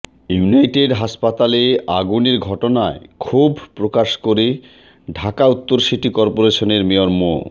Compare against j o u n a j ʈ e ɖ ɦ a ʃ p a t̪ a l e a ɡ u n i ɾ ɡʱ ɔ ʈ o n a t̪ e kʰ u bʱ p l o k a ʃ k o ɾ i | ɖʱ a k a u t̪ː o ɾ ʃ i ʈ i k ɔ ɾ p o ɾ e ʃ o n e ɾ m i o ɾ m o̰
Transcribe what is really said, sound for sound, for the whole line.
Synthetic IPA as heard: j u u n a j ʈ e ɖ ɦ a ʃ p a t̪ a l e a ɡ u n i ɾ ɡʱ ɔ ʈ o n a e kʰ u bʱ p ɾ o k a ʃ k o ɾ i | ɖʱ a k a u t̪ː o ɾ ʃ i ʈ i k ɔ ɾ p o ɾ e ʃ o n e ɾ m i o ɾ m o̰

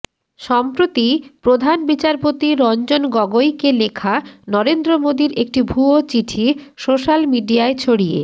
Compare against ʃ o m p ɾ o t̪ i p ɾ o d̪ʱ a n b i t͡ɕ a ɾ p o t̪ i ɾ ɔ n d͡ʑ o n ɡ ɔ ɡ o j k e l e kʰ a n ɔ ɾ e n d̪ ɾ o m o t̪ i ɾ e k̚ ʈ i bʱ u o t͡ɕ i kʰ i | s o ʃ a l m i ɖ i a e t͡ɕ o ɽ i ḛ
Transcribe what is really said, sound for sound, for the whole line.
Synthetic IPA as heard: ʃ ɔ m p ɾ o t̪ i p ɾ o d̪ʱ a n b i t͡ɕ a ɾ p o t̪ i ɾ ɔ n d͡ʑ o n ɡ ɔ ɡ o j k e l e kʰ a n ɔ ɾ e n d̪ ɾ o m o d̪ i ɾ e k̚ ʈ i bʱ u o t͡ɕ i ʈʰ i | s o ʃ a l m i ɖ i a e t͡ɕʰ o ɽ i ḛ

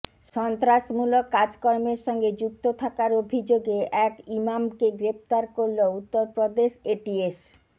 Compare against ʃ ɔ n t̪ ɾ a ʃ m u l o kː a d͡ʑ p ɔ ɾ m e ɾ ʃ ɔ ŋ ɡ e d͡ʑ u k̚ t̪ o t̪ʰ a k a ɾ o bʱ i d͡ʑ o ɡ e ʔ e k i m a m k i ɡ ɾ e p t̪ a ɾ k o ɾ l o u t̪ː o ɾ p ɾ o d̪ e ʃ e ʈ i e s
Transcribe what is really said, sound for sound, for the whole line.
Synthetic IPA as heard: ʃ ɔ n t̪ ɾ a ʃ m u l o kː a d͡ʑ k ɔ ɾ m e ɾ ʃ ɔ ŋ ɡ e d͡ʑ u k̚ t̪ o t̪ʰ a k a ɾ o bʱ i d͡ʑ o ɡ e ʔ ɛ k i m a m k e ɡ ɾ e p t̪ a ɾ k o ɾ l o u t̪ː o ɾ p ɾ o d̪ e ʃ e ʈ i e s

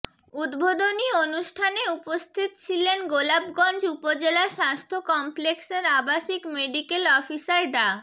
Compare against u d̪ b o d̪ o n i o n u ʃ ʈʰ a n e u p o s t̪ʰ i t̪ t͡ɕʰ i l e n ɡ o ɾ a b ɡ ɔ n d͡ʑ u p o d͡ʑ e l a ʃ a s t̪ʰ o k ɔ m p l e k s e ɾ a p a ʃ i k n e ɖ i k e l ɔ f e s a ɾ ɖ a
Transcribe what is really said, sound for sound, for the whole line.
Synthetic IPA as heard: u d̪ b o d̪ o n i o n u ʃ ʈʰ a n e u p o s t̪ʰ i t̪ t͡ɕʰ i l e n ɡ o l a b ɡ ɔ n d͡ʑ u p o d͡ʑ e l a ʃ a s t̪ʰ o k ɔ m p l e k s e ɾ a b a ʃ i k m e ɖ i k e l ɔ f i s a ɾ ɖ a

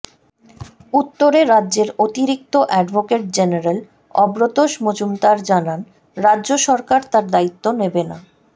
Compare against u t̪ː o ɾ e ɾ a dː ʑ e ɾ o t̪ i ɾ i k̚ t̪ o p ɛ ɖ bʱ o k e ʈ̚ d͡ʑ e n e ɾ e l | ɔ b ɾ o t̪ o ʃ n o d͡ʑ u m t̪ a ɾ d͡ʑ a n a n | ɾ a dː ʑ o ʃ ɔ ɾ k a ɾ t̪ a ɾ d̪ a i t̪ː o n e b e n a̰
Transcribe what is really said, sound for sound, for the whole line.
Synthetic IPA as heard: u t̪ː o ɾ e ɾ a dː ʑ e ɾ o t̪ i ɾ i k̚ t̪ o ʔ ɛ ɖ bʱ o k e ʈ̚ d͡ʑ e n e ɾ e l | ɔ b ɾ o t̪ o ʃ m o d͡ʑ u m t̪ a ɾ d͡ʑ a n a n | ɾ a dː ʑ o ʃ ɔ ɾ k a ɾ t̪ a ɾ d̪ a i t̪ː o n e b e n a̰

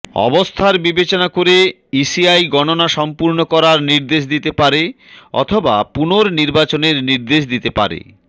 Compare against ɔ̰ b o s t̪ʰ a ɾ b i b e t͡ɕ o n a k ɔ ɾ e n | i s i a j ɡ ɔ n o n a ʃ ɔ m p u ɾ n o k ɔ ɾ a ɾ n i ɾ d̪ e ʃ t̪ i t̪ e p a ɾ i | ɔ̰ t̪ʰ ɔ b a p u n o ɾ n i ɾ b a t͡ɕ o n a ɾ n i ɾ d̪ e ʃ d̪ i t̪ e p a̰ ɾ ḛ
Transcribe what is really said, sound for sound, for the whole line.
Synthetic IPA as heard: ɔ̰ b o s t̪ʰ a ɾ b i b e t͡ɕ o n a k o ɾ e | i s i a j ɡ ɔ n o n a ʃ ɔ m p u ɾ n o k ɔ ɾ a ɾ n i ɾ d̪ e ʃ d̪ i t̪ e p a ɾ e | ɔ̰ t̪ʰ o b a p u n o ɾ n i ɾ b a t͡ɕ o n e ɾ n i ɾ d̪ e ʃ d̪ i t̪ e p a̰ ɾ ḛ

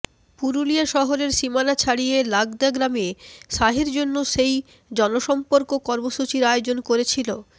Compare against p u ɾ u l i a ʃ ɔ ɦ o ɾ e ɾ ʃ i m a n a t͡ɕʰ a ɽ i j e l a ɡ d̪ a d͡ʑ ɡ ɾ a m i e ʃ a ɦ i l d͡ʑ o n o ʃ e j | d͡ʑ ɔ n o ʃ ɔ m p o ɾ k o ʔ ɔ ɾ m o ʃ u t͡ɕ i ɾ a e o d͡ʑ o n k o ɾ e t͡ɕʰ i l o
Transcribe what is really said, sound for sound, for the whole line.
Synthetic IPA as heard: p u ɾ u l i a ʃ ɔ ɦ o ɾ e ɾ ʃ i m a n a t͡ɕʰ a ɽ i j e l a ɡ d̪ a ɡ ɾ a m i e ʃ a ɦ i ɾ d͡ʑ o nː o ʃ e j | d͡ʑ ɔ n o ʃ ɔ m p o ɾ k o k ɔ ɾ m o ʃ u t͡ɕ i ɾ a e o d͡ʑ o n k o ɾ e t͡ɕʰ i l o

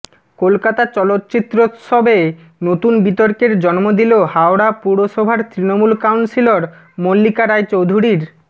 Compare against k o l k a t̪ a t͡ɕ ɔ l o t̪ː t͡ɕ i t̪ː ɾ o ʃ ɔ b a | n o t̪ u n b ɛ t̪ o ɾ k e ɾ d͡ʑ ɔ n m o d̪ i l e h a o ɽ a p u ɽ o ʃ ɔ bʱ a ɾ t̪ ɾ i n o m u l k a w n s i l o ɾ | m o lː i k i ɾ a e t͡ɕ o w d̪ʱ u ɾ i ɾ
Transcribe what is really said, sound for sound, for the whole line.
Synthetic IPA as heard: k o l k a t̪ a t͡ɕ ɔ l o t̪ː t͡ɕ i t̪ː ɾ o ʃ ɔ b e | n o t̪ u n b i t̪ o ɾ k e ɾ d͡ʑ ɔ n m o d̪ i l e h a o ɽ a p u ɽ o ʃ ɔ bʱ a ɾ t̪ ɾ i n o m u l k a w n s i l o ɾ | m o lː i k a ɾ a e t͡ɕ o w d̪ʱ u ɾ i ɾ

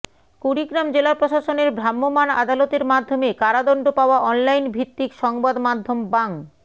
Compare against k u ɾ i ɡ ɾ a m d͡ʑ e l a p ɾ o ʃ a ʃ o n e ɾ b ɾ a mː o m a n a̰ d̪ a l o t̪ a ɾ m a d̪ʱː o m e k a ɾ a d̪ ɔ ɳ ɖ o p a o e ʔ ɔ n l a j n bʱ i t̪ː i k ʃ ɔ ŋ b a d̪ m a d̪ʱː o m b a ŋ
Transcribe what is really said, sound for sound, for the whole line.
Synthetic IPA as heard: k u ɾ i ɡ ɾ a m d͡ʑ e l a p ɾ o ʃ a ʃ o n e ɾ b ɾ a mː o m a n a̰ d̪ a l o t̪ e ɾ m a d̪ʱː o m e k a ɾ a d̪ ɔ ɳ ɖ o p a o a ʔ ɔ n l a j n bʱ i t̪ː i k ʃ ɔ ŋ b a d̪ m a d̪ʱː o m b a ŋ

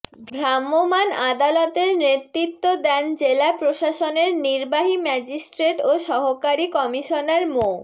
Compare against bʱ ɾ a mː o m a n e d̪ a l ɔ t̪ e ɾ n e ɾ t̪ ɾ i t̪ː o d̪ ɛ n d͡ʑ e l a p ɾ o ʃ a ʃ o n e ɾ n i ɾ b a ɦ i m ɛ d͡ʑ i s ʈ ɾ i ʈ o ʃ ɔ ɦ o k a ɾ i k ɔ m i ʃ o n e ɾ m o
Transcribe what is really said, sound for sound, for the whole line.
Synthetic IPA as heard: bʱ ɾ a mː o m a n a d̪ a l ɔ t̪ e ɾ n e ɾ t̪ ɾ i t̪ː o d̪ ɛ n d͡ʑ e l a p ɾ o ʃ a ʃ o n e ɾ n i ɾ b a ɦ i m ɛ d͡ʑ i s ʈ ɾ e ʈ o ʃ ɔ ɦ o k a ɾ i k ɔ m i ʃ o n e ɾ m o

